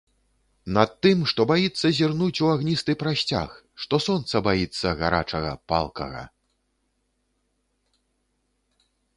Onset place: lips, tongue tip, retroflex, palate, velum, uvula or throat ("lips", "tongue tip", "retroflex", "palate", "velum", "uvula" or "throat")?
tongue tip